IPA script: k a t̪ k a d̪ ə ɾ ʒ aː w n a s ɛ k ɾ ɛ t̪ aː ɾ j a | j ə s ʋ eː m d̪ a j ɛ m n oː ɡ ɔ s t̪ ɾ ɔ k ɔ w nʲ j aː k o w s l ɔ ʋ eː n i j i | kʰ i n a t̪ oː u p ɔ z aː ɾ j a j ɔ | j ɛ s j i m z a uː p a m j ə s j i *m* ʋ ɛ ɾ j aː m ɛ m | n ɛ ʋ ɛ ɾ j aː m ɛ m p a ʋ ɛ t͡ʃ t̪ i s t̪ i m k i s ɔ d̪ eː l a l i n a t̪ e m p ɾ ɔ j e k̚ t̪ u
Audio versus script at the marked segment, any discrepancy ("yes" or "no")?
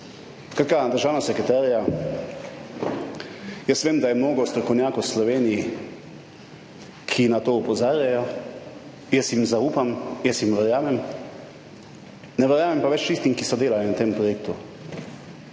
no